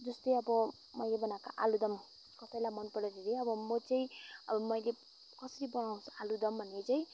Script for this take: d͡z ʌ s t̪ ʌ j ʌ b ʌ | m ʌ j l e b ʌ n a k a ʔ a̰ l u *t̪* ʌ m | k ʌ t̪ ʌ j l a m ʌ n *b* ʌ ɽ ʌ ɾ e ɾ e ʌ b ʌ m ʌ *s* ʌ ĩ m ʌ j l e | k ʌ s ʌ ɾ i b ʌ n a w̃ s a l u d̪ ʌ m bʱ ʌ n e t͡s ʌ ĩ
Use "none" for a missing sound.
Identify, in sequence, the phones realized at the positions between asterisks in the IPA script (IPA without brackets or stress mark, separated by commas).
d̪, p, t͡s